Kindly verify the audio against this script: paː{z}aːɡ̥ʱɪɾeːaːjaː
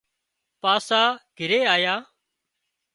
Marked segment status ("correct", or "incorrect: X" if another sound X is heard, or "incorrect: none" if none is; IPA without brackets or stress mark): incorrect: s